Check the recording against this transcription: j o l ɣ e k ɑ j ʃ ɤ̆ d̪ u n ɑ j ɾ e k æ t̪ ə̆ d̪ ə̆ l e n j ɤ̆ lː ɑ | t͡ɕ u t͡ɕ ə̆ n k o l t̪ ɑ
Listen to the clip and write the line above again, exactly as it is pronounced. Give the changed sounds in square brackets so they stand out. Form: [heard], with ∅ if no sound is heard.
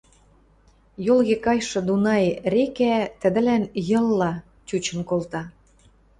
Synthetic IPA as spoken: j o l ɣ e k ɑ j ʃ ɤ̆ d̪ u n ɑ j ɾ e k æ t̪ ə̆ d̪ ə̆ l [æ] n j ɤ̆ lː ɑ | t͡ɕ u t͡ɕ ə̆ n k o l t̪ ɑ